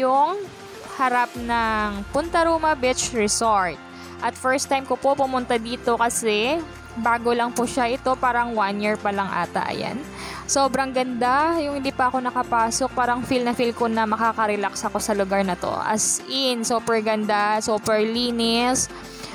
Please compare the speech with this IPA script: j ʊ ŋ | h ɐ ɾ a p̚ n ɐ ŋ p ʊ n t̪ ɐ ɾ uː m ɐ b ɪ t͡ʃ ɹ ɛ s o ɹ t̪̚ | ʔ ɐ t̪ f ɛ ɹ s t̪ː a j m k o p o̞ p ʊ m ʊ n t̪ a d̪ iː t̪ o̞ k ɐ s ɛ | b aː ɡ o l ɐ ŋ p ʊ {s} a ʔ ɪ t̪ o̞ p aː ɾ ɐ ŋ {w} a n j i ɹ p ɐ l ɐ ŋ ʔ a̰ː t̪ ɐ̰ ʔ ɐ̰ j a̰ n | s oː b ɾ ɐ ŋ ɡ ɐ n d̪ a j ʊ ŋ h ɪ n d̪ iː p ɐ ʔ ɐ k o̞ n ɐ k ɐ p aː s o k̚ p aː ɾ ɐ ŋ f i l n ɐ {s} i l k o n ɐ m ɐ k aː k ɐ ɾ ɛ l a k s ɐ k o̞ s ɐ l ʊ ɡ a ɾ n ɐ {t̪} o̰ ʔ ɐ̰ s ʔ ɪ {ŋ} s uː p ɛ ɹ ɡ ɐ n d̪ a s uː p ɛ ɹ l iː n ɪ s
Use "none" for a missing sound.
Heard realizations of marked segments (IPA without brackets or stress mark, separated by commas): ʃ, w, f, t̪, n